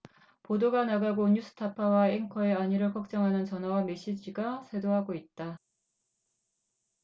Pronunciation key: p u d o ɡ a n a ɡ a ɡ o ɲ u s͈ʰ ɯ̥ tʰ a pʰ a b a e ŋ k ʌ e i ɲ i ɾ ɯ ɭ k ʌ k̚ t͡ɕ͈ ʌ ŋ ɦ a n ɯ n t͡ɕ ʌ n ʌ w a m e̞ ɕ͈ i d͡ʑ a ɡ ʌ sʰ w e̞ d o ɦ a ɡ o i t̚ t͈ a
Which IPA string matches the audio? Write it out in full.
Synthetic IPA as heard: p o d o ɡ a n a ɡ a ɡ o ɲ u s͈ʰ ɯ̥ tʰ a pʰ a w a e ŋ kʰ ʌ e a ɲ i ɾ ɯ ɭ k ʌ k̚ t͡ɕ͈ ʌ ŋ ɦ a n ɯ n t͡ɕ ʌ n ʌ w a m e̞ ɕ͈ i d͡ʑ i ɡ a sʰ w e̞ d o ɦ a ɡ o i t̚ t͈ a